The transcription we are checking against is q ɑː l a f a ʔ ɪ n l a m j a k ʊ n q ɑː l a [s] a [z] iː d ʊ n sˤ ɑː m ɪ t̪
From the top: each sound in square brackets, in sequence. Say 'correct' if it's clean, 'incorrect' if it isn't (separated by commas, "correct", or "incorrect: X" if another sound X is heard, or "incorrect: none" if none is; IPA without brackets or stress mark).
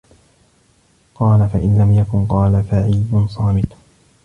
incorrect: f, incorrect: ʕ